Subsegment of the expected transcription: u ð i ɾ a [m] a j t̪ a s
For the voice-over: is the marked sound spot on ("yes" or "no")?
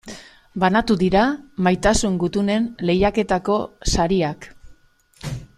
yes